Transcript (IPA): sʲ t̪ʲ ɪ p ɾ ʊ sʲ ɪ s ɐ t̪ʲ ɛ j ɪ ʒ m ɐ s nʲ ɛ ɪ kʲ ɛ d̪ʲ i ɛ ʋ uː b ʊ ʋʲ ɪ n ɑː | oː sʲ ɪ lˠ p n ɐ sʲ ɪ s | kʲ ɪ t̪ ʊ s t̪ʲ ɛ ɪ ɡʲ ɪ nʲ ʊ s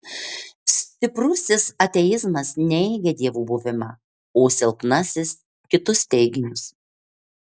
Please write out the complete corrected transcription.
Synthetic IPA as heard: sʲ t̪ʲ ɪ p ɾ ʊ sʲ ɪ s ɐ t̪ʲ ɛ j ɪ z m ɐ s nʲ ɛ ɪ ɡʲ ɛ d̪ʲ i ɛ ʋ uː b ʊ ʋʲ ɪ m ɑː | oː sʲ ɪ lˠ p n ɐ sʲ ɪ s | kʲ ɪ t̪ ʊ s t̪ʲ ɛ ɪ ɡʲ ɪ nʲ ʊ s